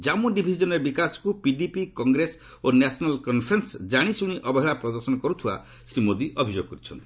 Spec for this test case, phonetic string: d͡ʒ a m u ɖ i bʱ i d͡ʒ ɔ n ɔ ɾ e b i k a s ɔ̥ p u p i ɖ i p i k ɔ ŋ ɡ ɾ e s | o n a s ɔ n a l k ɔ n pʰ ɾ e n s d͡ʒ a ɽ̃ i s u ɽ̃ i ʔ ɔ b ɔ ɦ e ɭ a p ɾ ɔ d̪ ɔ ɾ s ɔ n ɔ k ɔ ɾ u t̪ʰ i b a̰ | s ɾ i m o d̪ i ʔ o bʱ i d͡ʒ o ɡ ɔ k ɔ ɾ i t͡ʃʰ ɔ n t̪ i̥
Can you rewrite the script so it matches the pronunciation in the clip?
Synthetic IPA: d͡ʒ a m u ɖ i bʱ i d͡ʒ ɔ n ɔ ɾ e b i k a s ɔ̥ k u p i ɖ i p i k ɔ ŋ ɡ ɾ e s | o n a s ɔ n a l k ɔ n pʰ ɾ e n s d͡ʒ a ɽ̃ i s u ɽ̃ i ʔ ɔ b ɔ ɦ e ɭ a p ɾ ɔ d̪ ɔ ɾ s ɔ n ɔ k ɔ ɾ u t̪ʰ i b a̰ | s ɾ i m o d̪ i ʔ ɔ bʱ i d͡ʒ o ɡ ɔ k ɔ ɾ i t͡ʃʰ ɔ n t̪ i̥

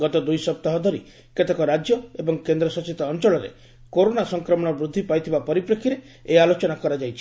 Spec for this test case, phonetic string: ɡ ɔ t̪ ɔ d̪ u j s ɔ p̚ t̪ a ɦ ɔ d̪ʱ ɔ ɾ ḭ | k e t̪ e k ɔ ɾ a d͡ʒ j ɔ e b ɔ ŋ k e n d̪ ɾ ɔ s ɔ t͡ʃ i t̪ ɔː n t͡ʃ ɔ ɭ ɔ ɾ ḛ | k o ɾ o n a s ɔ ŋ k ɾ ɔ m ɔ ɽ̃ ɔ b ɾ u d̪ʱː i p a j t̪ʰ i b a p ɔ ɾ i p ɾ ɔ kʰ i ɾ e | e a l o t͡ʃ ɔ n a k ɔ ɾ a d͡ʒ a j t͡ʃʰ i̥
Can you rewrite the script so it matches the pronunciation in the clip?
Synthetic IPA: ɡ ɔ t̪ ɔ d̪ u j s ɔ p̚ t̪ a ɦ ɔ d̪ʱ ɔ ɾ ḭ | k e t̪ e k ɔ ɾ a d͡ʒ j ɔ e b ɔ ŋ k e n d̪ ɾ ɔ s ɔ t͡ʃ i t̪ ɔː n t͡ʃ ɔ ɭ ɔ ɾ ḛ | k o ɾ o n a s ɔ ŋ k ɾ ɔ m ɔ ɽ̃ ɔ b ɾ u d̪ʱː i p a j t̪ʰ i b a p ɔ ɾ i p ɾ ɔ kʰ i ɾ e | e a l o t͡ʃ ɔ n a k ɔ ɾ a d͡ʒ a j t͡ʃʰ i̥

